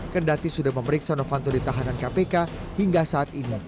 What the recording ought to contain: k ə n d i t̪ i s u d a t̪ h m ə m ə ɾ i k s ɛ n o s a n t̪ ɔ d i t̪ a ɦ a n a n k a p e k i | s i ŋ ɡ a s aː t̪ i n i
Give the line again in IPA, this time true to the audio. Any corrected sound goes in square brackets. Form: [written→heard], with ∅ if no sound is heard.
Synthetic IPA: k ə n d [i→a] t̪ i s u d a [t̪→∅] h m ə m ə ɾ i k s [ɛ→a] n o [s→f] a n t̪ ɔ d i t̪ a ɦ a n a n k a p e k [i→a] | [s→h] i ŋ ɡ a s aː t̪ i n i